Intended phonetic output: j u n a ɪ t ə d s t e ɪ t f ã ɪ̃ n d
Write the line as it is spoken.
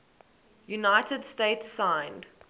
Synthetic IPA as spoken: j u n a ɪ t ə d s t e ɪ t s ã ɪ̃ n d